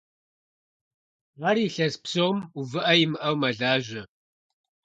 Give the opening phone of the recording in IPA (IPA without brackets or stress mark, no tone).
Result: ʁ